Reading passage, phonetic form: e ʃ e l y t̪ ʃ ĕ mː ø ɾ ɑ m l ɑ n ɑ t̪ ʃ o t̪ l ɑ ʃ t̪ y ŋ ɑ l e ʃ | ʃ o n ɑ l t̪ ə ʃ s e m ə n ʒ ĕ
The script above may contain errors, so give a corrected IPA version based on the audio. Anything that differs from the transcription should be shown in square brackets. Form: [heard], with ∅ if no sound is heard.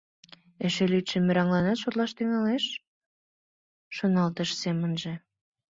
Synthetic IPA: e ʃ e l y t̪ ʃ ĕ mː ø ɾ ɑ [ŋ] l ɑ n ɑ t̪ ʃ o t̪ l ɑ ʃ t̪ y ŋ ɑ l e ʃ | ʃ o n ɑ l t̪ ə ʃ s e m ə n ʒ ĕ